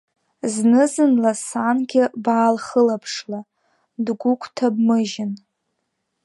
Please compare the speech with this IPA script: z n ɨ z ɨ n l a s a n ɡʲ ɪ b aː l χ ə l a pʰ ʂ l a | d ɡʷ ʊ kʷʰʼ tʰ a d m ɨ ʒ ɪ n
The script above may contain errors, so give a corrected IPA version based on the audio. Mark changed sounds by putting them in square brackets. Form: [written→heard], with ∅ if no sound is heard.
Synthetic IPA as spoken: z n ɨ z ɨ n l a s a n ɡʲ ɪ b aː l χ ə l a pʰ ʂ l a | d ɡʷ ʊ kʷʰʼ tʰ a [d→b] m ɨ ʒ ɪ n